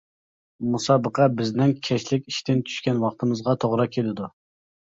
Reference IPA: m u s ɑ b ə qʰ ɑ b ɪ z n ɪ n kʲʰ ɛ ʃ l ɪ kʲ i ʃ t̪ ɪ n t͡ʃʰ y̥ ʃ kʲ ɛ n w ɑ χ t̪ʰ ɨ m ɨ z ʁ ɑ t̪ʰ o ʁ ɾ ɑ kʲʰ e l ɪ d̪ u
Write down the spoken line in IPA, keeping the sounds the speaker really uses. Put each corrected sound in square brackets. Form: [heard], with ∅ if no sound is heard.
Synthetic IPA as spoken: m u s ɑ b ə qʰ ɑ b ɪ z n ɪ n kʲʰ ɛ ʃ l ɪ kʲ i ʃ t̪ ɪ n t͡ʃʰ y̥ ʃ kʲ ɛ n w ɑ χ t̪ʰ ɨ m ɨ z ʁ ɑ t̪ʰ o ʁ ɾ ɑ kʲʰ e l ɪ d̪ u